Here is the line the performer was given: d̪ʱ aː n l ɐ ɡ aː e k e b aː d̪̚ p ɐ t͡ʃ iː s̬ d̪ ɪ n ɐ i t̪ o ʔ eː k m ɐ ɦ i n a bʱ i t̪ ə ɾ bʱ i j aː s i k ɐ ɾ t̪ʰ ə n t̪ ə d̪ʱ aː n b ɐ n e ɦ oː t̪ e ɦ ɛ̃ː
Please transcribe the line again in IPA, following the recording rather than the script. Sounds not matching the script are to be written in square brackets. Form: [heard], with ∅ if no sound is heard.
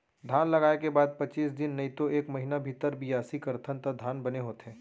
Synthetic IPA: d̪ʱ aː n l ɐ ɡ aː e k e b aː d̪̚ p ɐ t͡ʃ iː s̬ d̪ ɪ [nː] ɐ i t̪ o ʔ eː k m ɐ ɦ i n a bʱ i t̪ ə ɾ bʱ i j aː s i k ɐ ɾ t̪ʰ ə n t̪ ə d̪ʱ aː n b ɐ n e ɦ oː t̪ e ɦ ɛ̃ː